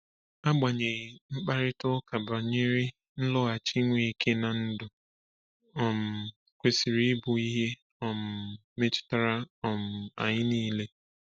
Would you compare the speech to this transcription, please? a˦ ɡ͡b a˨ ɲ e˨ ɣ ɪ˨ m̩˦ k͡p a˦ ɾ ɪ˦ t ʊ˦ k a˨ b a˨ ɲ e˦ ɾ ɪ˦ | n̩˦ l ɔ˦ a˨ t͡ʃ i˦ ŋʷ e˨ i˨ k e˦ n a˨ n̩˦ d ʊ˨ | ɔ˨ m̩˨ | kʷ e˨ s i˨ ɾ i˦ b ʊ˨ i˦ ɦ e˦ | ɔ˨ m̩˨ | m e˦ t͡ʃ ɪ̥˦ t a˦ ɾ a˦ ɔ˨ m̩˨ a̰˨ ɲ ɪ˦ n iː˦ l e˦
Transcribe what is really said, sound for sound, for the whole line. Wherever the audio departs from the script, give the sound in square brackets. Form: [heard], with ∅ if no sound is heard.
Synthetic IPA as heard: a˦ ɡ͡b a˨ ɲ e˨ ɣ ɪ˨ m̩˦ k͡p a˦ ɾ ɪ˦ t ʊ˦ k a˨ b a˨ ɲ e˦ ɾ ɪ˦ | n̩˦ l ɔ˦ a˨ t͡ʃ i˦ ŋʷ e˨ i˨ k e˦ n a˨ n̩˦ d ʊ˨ | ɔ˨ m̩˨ | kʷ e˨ s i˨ ɾ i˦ b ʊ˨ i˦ ɦ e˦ | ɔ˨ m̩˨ | m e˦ t͡ʃ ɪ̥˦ t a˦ ɾ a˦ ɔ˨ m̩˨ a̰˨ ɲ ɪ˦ n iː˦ l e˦

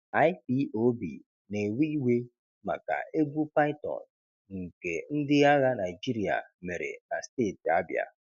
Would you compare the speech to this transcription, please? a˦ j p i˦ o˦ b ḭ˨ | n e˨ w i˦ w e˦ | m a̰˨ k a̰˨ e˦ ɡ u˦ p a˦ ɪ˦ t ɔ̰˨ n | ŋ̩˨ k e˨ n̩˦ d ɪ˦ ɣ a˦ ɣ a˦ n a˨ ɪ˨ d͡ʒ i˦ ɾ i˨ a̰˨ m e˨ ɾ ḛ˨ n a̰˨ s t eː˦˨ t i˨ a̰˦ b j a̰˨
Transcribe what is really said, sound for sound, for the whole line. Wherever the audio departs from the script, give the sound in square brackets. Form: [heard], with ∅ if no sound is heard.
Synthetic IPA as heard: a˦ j p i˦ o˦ b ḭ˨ | n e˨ w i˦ w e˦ | m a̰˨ k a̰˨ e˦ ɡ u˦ p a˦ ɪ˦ t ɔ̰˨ n | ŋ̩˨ k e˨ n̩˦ d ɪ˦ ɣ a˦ ɣ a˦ n a˨ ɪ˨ d͡ʒ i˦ ɾ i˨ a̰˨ m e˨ ɾ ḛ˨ n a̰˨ s t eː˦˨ t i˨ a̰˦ b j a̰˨

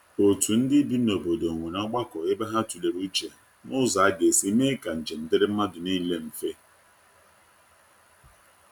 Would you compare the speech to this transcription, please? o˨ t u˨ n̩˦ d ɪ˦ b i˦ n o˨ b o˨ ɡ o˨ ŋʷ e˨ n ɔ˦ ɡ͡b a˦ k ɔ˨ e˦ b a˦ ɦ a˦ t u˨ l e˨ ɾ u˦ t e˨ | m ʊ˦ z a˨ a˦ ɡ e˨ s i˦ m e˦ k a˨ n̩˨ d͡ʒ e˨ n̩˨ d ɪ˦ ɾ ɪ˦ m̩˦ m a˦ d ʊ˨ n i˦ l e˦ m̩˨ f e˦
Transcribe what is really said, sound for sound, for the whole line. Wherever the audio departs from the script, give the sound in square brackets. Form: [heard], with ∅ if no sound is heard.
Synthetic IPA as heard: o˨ t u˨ n̩˦ d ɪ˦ b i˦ n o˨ b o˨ [d] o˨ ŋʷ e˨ n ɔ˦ ɡ͡b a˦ k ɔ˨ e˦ b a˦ ɦ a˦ t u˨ l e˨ ɾ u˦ [t͡ʃ] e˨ | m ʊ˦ z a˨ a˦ ɡ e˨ s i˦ m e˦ k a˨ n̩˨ d͡ʒ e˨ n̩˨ d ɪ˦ ɾ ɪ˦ m̩˦ m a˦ d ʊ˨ n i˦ l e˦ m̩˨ f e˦

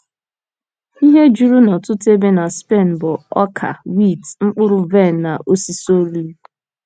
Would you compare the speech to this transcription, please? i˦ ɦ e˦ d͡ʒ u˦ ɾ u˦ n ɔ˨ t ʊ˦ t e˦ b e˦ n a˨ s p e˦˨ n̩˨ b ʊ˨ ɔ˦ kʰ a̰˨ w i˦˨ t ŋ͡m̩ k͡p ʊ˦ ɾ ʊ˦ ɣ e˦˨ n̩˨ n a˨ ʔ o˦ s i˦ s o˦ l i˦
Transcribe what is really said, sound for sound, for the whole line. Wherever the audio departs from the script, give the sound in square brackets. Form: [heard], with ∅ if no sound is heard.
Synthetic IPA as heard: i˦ ɦ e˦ d͡ʒ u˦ ɾ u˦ n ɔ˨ t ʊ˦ t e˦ b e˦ n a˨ s p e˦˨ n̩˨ b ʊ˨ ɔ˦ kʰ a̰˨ w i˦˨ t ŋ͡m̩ k͡p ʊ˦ ɾ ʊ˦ [v] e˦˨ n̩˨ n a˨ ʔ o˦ s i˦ s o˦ l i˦

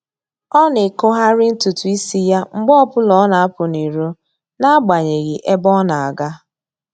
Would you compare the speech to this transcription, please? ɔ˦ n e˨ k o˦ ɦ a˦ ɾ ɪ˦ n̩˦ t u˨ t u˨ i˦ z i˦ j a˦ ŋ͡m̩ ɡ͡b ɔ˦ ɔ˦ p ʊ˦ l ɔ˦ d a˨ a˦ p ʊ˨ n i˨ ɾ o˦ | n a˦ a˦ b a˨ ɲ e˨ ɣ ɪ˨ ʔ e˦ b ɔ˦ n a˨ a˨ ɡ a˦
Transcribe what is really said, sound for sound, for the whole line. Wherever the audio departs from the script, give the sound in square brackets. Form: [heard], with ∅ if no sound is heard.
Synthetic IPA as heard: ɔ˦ n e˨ k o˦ ɦ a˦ ɾ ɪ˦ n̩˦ t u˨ t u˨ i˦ [s] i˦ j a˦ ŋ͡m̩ ɡ͡b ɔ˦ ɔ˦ p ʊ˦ l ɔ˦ [n] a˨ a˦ p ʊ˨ n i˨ ɾ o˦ | n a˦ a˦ [ɡ͡b] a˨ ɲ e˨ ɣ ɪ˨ ʔ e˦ b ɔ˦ n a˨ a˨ ɡ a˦

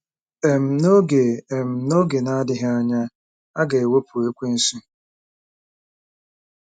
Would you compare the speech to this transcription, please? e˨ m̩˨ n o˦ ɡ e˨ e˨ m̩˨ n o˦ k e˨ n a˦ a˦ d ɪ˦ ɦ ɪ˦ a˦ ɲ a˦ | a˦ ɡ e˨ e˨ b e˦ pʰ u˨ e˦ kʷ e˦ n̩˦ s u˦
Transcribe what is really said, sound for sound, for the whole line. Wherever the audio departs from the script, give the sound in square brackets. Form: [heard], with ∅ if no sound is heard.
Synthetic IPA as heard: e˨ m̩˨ n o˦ ɡ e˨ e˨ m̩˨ n o˦ [ɡ] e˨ n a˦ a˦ d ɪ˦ ɦ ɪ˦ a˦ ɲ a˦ | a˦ ɡ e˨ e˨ [w] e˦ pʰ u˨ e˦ kʷ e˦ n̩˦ s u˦

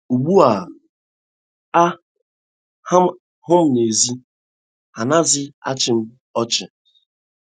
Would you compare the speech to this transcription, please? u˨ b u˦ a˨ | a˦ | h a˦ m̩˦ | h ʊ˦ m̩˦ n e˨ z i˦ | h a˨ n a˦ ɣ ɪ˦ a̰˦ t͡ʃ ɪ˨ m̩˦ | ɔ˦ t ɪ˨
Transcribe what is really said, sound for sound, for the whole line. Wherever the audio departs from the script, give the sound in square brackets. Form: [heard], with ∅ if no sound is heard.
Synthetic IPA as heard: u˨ [ɡ͡b] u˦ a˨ | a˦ | h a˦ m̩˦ | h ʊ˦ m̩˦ n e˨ z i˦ | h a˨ n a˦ [z] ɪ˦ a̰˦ t͡ʃ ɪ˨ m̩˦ | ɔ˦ [t͡ʃ] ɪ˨

